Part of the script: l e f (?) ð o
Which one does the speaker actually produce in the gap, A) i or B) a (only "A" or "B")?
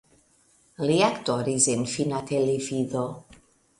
A